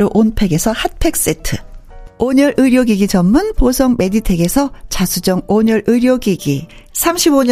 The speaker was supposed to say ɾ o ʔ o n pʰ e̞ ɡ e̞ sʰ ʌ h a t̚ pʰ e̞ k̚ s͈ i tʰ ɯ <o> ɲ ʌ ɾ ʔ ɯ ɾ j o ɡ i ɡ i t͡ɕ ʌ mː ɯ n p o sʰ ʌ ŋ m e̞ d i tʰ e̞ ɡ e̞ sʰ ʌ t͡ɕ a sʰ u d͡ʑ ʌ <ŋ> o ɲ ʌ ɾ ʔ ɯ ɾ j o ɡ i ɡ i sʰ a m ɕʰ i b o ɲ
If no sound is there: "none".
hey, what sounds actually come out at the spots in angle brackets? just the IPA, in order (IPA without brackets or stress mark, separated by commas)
o, ŋ